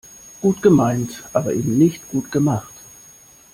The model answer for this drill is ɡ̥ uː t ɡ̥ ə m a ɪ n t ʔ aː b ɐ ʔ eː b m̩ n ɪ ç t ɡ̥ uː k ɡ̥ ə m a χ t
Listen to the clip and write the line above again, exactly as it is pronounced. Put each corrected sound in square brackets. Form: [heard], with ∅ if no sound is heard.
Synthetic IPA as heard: ɡ̥ uː t ɡ̥ ə m a ɪ n t ʔ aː b ɐ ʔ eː b m̩ n ɪ ç t ɡ̥ uː [t] ɡ̥ ə m a χ t